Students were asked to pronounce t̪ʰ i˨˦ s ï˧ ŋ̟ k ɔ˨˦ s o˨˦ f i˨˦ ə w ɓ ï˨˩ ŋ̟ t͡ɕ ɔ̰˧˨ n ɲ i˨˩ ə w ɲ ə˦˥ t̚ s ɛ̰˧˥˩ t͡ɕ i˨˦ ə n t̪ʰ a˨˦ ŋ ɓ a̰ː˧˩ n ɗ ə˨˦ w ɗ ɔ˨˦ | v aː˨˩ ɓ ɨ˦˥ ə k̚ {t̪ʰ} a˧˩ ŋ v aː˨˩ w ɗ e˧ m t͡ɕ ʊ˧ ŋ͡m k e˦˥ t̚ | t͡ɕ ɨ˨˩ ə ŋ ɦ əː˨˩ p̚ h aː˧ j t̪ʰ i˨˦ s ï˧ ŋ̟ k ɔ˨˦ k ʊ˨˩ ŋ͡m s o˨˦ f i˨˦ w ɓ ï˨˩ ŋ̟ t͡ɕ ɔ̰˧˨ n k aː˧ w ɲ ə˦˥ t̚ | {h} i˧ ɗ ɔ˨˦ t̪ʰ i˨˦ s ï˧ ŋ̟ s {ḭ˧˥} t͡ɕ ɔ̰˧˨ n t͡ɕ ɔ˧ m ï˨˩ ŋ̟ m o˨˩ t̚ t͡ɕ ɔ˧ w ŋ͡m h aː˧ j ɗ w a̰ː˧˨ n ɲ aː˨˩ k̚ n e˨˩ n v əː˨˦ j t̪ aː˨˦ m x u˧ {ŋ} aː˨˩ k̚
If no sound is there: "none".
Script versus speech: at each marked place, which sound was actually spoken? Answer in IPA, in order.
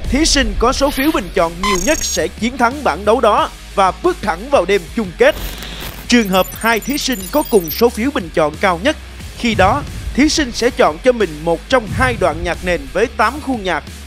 t̪ʰ, x, ɛ̰˧˥, ɲ

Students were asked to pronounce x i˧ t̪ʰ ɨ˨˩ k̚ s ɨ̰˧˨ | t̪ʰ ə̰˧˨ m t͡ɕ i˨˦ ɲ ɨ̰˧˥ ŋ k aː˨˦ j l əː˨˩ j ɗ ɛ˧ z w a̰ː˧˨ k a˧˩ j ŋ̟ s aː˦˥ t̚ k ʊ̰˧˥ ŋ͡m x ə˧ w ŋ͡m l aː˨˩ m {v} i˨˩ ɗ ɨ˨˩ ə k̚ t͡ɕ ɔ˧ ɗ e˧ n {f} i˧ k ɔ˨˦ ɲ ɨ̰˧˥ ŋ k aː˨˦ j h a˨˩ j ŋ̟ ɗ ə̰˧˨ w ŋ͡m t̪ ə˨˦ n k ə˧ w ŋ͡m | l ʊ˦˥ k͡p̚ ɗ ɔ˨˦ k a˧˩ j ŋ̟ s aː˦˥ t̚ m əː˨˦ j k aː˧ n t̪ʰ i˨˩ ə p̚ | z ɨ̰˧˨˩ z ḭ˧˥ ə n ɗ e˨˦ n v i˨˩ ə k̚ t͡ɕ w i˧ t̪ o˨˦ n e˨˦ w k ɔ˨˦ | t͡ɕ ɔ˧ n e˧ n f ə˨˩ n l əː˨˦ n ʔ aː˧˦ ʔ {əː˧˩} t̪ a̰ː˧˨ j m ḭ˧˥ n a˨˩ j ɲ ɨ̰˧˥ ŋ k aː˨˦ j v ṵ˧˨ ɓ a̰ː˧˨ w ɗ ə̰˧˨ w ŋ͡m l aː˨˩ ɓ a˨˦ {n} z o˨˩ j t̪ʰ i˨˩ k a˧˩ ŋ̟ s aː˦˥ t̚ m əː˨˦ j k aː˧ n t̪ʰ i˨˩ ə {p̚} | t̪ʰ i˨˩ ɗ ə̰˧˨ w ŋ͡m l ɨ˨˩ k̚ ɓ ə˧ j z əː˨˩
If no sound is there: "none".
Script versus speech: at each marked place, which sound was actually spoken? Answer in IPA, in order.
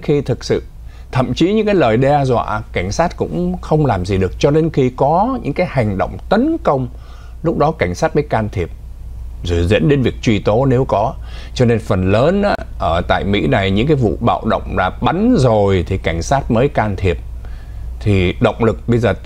z, x, əː˧˩, n, p̚

